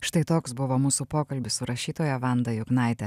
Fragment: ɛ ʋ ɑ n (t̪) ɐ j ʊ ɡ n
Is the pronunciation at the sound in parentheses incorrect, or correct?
incorrect